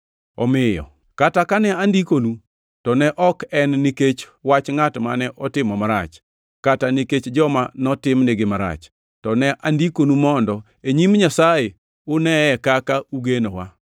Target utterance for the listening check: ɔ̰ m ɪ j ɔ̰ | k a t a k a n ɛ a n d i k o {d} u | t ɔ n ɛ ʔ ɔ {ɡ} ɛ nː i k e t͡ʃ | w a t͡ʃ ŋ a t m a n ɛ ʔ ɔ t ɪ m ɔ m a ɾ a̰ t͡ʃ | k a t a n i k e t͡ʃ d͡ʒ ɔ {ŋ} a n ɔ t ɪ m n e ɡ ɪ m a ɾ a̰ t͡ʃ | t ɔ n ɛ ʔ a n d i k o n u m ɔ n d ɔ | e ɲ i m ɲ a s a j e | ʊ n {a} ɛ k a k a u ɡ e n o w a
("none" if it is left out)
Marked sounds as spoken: n, k, m, ɛ

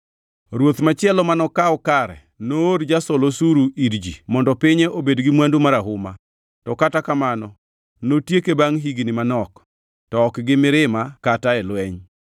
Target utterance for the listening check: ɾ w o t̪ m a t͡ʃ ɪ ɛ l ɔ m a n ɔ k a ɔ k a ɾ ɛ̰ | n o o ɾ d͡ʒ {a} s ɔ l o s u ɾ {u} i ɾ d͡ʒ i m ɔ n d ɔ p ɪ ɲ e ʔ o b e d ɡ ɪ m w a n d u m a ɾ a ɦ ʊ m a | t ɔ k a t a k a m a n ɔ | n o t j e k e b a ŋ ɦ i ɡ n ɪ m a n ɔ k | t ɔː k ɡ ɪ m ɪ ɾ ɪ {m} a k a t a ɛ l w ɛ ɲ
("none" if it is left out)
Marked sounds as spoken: a, u, m

